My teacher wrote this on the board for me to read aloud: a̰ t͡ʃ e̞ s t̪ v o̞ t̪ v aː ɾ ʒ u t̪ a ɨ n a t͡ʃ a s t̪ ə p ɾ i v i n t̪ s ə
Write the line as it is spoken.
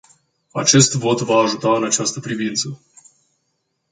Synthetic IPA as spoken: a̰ t͡ʃ e̞ s t̪ v o̞ t̪ v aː ʒ u t̪ a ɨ n a t͡ʃ a s t̪ ə p ɾ i v i n t̪ s ə